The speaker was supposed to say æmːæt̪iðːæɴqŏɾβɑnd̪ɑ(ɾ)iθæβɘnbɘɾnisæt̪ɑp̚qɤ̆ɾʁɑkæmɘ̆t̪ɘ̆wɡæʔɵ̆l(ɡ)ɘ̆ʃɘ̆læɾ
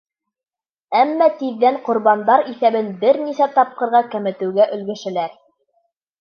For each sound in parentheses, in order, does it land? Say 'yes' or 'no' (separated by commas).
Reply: yes, yes